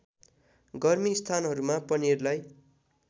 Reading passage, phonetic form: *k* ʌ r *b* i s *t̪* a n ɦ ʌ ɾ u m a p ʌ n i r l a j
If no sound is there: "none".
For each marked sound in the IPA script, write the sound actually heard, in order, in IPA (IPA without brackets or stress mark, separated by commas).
ɡ, m, t̪ʰ